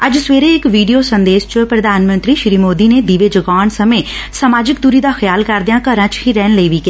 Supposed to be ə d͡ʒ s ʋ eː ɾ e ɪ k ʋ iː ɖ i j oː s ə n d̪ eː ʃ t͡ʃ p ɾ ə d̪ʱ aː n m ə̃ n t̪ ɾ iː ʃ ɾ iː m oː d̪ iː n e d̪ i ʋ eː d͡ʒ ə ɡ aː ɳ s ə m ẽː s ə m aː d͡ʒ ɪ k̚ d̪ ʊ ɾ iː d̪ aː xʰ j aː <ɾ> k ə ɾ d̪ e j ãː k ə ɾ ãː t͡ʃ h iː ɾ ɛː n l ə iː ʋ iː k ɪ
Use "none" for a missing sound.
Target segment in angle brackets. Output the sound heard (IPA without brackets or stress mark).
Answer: l